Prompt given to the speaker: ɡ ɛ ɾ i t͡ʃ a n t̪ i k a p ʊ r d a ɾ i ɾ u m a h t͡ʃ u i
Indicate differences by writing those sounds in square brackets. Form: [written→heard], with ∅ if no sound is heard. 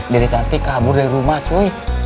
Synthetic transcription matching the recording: [ɡ→d] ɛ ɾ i t͡ʃ a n t̪ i k a [p→b] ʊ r d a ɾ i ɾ u m a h t͡ʃ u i